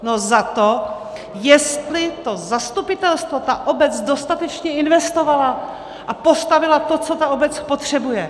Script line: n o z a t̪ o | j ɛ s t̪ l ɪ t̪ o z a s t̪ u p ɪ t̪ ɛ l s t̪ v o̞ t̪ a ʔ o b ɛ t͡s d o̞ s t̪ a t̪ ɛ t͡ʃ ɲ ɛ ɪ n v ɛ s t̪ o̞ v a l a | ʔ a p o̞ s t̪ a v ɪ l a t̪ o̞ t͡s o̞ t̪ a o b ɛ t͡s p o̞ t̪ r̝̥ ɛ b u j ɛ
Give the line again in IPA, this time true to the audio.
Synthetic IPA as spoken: n o z a t̪ o | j ɛ s t̪ l ɪ t̪ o z a s t̪ u p ɪ t̪ ɛ l s t̪ v o̞ t̪ a ʔ o b ɛ t͡s d o̞ s t̪ a t̪ ɛ t͡ʃ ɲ ɛ ɪ n v ɛ s t̪ o̞ v a l a | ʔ a p o̞ s t̪ a v ɪ l a t̪ o̞ t͡s o̞ t̪ a o b ɛ t͡s p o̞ t̪ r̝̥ ɛ b u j ɛ